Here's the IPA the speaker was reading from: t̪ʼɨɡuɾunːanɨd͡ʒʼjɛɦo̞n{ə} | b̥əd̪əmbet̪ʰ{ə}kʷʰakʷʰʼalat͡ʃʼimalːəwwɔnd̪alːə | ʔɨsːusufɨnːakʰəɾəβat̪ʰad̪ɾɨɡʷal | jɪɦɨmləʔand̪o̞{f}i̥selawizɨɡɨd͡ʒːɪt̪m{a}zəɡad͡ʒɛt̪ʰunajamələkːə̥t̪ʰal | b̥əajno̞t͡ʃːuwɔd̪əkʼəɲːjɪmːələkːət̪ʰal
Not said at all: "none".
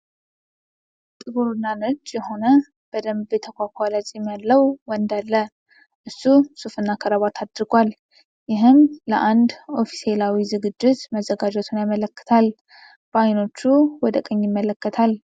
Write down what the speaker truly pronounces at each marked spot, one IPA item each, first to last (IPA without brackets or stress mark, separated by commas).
ə, ə, f, ə